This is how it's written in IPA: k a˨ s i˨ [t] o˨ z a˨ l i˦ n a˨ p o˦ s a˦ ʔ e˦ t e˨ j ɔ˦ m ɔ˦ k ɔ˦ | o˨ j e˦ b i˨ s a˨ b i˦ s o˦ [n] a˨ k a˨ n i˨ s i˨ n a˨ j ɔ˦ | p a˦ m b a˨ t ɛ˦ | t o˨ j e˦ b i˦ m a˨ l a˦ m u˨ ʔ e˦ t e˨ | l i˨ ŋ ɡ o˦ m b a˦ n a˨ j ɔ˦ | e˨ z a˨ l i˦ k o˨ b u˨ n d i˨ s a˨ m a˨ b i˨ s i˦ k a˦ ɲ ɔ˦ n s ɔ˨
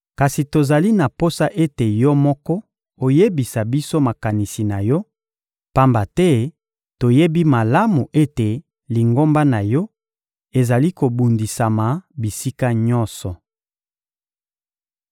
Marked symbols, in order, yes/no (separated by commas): yes, no